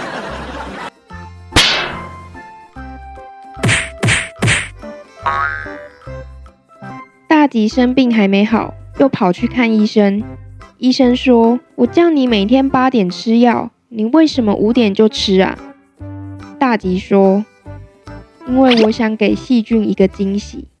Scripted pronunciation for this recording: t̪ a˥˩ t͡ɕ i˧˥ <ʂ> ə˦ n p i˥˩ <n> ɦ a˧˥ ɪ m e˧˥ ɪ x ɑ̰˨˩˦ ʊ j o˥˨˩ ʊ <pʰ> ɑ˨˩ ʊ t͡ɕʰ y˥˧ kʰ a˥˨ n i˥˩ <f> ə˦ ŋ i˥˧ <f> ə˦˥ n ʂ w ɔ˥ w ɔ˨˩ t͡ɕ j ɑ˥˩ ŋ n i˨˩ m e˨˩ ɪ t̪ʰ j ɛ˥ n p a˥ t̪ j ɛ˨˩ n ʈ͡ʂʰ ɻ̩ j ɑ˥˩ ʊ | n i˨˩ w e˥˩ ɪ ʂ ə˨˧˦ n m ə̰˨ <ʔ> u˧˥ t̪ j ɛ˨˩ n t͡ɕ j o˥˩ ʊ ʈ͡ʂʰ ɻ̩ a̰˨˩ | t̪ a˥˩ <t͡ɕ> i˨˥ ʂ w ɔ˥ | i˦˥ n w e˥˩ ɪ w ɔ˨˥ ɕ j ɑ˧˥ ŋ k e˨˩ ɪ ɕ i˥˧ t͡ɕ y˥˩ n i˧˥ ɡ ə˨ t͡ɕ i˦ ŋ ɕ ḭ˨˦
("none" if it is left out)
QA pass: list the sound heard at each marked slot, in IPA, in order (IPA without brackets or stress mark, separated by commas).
ʂ, ŋ, pʰ, ʂ, ʂ, ʔ, t͡ɕ